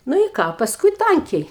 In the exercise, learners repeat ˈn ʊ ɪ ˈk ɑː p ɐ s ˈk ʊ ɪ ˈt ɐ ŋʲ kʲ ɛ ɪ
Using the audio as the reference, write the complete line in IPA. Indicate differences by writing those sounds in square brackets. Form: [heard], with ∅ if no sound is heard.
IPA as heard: ˈn ʊ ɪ ˈk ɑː p ɐ s ˈk ʊ ɪ ˈt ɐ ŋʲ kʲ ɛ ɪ